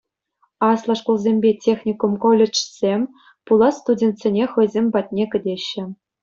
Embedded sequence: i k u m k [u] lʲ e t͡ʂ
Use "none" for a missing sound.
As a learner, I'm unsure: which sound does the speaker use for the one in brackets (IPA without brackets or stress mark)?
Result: o